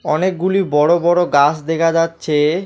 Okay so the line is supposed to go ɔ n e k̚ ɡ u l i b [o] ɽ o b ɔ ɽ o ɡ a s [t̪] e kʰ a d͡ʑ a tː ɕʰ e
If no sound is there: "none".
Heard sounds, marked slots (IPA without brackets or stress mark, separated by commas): ɔ, d̪